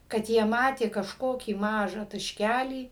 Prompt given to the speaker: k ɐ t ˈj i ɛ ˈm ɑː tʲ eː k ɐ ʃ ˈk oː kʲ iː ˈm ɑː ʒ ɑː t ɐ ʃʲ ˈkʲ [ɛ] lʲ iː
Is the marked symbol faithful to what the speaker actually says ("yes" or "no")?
no